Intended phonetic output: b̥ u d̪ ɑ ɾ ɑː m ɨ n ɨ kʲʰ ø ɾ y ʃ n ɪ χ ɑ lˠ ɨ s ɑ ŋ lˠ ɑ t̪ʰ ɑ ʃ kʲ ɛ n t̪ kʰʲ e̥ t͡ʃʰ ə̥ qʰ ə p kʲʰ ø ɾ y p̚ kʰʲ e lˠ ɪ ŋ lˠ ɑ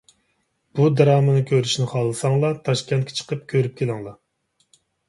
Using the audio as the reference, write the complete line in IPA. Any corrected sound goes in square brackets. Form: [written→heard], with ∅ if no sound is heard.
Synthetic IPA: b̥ u d̪ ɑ ɾ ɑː m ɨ n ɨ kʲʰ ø ɾ y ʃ n ɪ χ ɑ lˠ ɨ s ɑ ŋ lˠ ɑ t̪ʰ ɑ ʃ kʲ ɛ n t̪ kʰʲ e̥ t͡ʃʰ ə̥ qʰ ə p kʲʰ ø ɾ y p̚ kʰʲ e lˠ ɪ ŋ lˠ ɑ